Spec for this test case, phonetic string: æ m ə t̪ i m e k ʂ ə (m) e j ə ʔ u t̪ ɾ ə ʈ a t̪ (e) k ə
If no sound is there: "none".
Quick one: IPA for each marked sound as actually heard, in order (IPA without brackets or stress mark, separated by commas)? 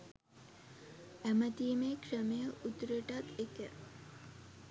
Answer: m, e